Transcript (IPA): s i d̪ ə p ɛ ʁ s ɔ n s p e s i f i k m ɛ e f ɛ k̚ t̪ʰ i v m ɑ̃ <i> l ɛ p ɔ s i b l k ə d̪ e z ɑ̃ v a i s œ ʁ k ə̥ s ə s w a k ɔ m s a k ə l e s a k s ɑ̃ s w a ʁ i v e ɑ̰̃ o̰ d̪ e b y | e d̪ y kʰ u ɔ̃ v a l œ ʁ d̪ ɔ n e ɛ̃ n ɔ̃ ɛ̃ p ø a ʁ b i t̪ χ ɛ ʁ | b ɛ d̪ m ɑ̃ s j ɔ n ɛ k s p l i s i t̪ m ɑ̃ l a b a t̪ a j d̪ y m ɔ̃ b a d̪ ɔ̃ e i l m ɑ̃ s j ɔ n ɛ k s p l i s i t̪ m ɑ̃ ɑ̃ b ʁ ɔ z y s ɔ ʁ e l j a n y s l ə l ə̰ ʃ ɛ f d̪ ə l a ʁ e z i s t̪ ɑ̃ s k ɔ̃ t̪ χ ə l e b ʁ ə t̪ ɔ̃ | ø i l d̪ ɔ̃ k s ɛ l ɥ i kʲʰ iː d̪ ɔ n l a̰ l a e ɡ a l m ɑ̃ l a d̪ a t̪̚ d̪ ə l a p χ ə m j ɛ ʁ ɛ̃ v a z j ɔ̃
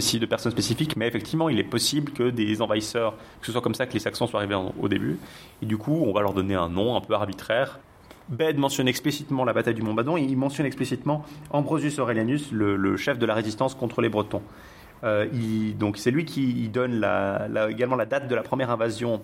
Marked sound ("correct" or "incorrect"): correct